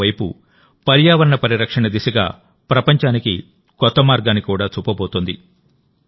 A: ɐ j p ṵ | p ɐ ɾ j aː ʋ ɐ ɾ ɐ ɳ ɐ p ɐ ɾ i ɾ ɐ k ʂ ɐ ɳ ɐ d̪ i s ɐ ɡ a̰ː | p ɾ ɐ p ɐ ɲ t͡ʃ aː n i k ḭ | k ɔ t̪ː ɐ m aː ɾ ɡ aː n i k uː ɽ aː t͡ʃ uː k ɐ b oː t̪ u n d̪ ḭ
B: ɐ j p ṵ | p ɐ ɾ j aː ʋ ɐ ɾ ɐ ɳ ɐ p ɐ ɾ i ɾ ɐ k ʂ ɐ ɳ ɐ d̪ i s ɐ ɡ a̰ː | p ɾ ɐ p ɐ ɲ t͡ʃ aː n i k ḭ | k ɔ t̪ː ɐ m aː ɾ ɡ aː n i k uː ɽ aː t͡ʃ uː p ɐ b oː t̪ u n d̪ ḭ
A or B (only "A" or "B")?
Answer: B